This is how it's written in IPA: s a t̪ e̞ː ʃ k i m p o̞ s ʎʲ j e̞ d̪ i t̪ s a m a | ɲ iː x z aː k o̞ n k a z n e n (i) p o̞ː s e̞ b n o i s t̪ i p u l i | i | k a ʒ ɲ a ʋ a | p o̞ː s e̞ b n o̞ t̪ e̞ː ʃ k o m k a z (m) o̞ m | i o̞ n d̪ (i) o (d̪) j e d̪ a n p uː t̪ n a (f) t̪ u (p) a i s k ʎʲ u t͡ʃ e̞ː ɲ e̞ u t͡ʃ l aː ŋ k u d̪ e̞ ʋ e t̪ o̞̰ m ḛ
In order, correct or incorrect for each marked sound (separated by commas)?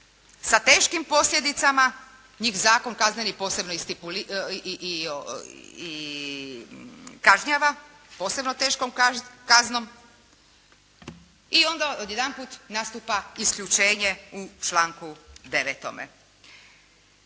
correct, incorrect, incorrect, correct, incorrect, correct